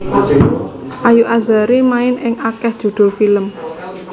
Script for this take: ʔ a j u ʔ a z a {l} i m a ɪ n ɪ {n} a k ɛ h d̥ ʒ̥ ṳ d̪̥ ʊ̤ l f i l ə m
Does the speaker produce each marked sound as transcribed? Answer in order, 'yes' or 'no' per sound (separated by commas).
no, no